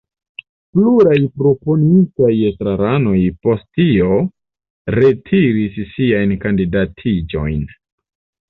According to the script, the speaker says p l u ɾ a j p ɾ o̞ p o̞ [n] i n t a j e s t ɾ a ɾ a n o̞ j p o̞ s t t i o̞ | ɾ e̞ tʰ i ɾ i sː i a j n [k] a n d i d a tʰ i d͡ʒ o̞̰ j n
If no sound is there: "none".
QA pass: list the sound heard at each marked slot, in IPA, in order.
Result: n, k

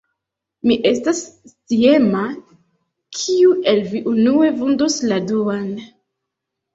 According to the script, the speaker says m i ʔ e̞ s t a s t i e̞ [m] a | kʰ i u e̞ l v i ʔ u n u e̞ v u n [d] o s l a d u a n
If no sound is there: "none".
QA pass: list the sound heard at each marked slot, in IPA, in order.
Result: m, d

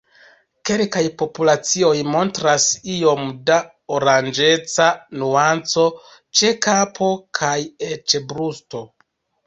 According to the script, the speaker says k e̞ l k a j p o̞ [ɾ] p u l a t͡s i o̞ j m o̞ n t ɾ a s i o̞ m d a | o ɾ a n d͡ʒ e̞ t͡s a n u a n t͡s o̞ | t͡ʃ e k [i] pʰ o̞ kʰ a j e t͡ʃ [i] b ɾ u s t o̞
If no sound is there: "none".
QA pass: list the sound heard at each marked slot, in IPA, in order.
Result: none, a, e

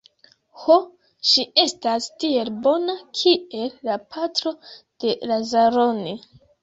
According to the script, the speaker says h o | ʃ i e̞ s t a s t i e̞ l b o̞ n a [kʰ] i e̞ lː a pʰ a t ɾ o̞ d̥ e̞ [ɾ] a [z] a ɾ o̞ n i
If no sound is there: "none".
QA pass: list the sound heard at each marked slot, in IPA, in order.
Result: kʰ, l, z

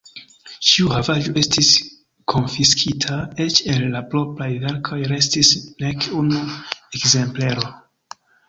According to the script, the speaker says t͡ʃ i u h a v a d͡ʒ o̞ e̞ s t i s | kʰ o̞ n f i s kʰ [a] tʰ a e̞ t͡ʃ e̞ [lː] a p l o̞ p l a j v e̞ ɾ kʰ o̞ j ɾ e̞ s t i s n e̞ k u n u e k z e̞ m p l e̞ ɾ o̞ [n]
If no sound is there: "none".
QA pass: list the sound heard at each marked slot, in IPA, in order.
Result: i, lː, none

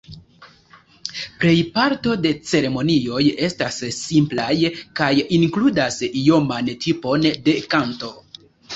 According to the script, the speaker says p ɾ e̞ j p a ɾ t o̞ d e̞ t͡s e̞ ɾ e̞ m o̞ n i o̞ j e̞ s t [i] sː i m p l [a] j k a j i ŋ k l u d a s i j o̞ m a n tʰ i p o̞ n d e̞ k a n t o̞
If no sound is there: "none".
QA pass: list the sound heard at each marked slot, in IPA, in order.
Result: a, a

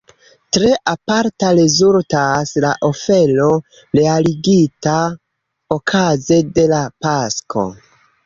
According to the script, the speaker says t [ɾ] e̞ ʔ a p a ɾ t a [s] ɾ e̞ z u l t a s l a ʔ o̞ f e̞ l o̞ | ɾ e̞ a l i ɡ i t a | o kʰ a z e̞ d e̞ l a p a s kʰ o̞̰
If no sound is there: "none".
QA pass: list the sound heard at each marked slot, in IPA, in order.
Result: ɾ, none

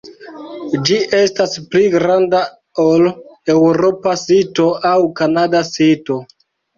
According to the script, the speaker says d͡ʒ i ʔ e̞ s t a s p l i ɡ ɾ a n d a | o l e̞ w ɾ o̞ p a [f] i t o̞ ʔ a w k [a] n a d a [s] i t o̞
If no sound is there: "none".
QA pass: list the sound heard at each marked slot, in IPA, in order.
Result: s, a, s

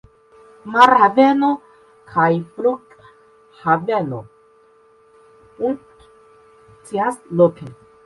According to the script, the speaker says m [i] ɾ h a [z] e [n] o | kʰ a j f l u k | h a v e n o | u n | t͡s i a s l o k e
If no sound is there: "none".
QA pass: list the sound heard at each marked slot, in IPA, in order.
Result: a, v, n

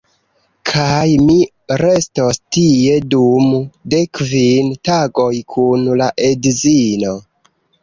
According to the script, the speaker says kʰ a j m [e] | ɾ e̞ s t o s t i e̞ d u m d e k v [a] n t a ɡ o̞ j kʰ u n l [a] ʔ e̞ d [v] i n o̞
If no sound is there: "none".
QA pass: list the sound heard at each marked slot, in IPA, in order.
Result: i, i, a, z

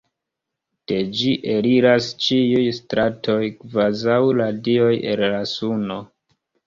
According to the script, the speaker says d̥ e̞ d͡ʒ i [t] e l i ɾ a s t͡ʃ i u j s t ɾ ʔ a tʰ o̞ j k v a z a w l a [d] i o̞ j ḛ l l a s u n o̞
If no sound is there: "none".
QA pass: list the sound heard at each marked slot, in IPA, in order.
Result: ʔ, d

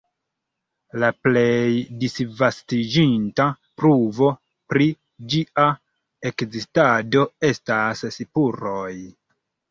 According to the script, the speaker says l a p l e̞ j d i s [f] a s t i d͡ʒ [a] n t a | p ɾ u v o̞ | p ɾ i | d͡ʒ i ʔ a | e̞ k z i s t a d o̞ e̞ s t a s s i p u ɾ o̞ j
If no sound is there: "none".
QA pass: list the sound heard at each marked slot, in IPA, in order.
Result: v, i

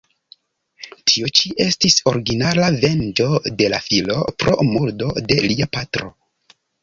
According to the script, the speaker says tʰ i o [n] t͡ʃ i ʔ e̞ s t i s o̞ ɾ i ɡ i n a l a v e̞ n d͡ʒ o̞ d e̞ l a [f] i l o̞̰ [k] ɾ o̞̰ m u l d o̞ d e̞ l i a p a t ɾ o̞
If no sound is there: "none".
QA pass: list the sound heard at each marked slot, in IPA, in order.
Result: none, f, p

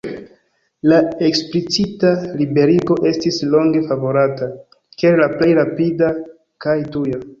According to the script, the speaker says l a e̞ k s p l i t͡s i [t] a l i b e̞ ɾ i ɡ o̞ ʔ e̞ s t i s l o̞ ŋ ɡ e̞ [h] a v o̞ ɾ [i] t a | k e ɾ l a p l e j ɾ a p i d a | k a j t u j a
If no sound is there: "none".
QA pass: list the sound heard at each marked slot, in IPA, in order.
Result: t, f, a

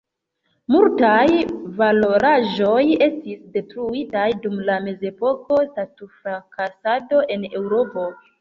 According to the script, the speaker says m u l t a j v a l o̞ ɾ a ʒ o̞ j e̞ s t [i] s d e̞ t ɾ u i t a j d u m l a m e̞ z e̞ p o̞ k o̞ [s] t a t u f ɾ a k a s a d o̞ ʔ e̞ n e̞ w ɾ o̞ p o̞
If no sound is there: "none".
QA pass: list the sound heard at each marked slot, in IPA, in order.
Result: i, s

